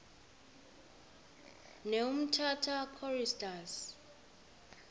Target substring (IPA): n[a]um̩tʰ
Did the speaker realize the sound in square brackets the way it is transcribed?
no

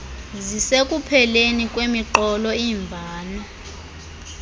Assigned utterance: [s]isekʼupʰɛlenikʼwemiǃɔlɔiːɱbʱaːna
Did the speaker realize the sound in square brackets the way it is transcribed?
no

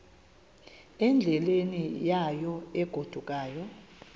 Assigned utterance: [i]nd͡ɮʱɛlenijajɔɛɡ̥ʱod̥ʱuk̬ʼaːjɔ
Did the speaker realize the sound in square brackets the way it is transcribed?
no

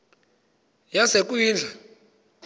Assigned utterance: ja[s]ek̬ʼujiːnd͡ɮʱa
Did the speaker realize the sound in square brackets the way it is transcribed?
yes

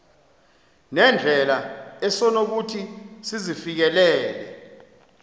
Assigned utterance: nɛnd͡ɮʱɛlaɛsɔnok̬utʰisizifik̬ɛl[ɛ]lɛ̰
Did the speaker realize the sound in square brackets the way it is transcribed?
no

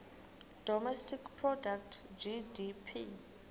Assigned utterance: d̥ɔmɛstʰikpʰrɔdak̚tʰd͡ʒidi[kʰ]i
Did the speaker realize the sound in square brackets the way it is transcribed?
no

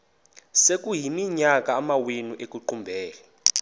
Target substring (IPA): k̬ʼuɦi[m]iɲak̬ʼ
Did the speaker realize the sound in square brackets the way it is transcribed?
yes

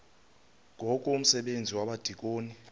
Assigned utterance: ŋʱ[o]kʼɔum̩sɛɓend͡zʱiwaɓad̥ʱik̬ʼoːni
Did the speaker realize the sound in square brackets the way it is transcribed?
no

